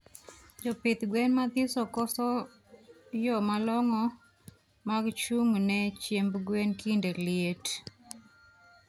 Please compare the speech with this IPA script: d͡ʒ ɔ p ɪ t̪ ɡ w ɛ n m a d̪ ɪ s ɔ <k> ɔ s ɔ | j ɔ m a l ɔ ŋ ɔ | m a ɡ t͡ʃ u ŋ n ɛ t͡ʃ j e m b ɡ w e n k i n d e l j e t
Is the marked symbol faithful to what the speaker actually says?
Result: yes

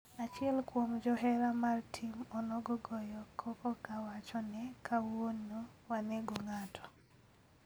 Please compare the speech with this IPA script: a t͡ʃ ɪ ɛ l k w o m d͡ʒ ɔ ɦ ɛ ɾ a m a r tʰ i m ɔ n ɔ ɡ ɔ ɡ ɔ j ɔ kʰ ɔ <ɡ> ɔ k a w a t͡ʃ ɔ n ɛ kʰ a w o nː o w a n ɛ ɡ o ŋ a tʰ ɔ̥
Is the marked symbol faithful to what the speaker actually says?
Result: no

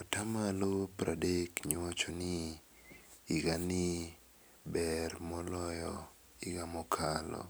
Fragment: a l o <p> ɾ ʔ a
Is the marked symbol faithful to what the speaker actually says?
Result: yes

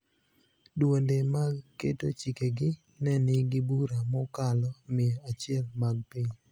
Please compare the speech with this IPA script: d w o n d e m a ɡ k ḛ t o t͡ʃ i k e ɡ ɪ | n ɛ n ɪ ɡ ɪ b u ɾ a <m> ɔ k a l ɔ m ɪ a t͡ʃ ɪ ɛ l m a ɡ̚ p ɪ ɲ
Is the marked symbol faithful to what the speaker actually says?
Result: yes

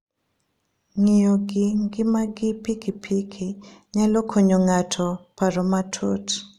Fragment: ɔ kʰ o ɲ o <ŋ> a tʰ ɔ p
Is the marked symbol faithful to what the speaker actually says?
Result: yes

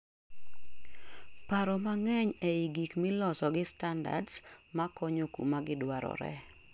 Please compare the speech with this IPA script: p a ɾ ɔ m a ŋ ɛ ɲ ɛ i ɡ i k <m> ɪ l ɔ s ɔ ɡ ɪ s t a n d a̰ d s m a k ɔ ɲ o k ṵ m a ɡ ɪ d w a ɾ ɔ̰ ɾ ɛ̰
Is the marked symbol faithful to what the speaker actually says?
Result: yes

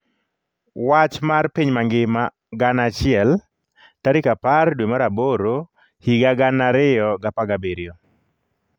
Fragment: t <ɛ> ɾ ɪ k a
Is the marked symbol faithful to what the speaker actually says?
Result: no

